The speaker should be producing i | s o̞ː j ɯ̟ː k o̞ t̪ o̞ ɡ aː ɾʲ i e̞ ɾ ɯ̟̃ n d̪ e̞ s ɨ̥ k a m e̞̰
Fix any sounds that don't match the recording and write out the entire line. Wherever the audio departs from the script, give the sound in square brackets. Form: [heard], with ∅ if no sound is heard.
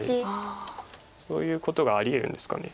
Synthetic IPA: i | s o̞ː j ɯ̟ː k o̞ t̪ o̞ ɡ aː ɾʲ i e̞ ɾ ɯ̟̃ n d̪ e̞ s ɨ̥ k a [n] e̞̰